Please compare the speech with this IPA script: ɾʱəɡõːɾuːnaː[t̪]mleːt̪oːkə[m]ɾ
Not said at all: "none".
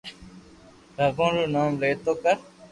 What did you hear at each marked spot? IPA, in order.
none, none

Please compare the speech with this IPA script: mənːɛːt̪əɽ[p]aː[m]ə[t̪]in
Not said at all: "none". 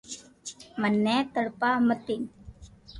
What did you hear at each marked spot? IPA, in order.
p, m, t̪

